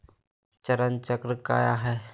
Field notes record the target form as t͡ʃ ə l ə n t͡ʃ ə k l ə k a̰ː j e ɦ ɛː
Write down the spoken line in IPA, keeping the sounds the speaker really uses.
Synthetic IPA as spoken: t͡ʃ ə ɾ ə n t͡ʃ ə k ɾ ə k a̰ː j a ɦ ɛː